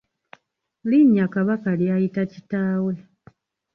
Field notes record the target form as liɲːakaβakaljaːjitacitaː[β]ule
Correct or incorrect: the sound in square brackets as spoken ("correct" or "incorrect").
incorrect